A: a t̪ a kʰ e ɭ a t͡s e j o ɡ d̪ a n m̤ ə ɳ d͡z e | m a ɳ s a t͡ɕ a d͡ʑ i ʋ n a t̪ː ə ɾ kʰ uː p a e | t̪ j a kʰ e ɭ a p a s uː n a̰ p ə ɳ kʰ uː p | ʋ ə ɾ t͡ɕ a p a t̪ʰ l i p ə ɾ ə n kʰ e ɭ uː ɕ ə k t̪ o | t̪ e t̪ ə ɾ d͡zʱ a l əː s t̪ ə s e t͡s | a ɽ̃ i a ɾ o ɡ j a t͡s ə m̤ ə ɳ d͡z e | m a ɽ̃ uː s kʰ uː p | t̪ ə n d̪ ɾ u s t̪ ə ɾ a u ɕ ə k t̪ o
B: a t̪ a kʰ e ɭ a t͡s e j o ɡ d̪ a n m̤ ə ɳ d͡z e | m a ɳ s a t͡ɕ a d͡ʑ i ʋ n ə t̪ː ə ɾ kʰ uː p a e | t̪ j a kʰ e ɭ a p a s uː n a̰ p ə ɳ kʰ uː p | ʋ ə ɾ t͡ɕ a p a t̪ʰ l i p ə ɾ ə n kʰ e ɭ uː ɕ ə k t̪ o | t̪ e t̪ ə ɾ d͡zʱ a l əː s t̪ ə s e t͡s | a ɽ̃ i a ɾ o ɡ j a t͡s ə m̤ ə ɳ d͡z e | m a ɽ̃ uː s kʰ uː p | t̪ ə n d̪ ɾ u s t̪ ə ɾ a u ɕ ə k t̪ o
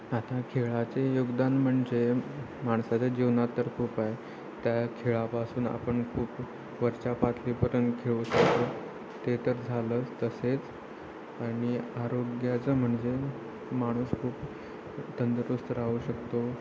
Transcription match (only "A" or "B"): A